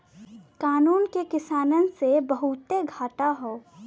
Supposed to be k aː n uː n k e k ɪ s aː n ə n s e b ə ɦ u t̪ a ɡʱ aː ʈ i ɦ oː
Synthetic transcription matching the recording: k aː n uː n k e k ɪ s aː n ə n s e b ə ɦ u t̪ e ɡʱ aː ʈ a ɦ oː